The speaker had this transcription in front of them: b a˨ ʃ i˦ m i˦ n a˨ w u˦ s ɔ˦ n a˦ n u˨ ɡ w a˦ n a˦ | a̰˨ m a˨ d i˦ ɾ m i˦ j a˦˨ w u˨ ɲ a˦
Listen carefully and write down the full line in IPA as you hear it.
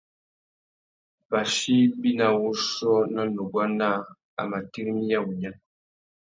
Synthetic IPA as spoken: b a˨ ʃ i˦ b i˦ n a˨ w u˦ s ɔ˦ n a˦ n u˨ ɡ w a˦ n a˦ | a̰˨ m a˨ t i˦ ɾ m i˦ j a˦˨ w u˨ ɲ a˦